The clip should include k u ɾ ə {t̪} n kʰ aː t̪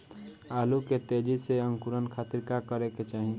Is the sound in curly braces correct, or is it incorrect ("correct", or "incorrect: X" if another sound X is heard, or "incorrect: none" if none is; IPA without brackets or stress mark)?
incorrect: none